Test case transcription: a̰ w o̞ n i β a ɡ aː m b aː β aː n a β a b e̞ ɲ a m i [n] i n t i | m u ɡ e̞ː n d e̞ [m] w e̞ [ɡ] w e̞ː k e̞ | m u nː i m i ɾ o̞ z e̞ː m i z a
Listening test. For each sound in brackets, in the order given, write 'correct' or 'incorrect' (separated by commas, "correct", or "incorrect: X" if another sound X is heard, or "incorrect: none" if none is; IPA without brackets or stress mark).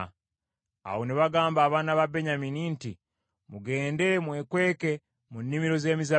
correct, correct, incorrect: k